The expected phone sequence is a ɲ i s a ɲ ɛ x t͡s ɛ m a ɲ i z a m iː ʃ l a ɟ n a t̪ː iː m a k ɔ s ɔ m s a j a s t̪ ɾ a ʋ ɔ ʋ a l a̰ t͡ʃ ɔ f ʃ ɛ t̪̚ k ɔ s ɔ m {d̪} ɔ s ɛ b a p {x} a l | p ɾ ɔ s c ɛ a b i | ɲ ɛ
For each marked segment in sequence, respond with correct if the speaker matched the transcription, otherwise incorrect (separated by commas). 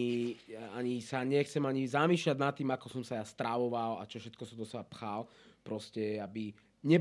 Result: correct, correct